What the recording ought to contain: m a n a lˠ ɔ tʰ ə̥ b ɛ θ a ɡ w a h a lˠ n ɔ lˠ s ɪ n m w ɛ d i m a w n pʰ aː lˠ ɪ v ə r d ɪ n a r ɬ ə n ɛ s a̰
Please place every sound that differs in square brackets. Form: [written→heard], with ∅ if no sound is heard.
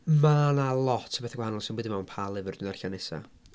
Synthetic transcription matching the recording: m a n a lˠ ɔ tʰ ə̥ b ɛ θ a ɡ w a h a [lˠ→∅] n ɔ lˠ s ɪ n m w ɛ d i m a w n pʰ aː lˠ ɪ v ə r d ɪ n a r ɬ [ə→a] n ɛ s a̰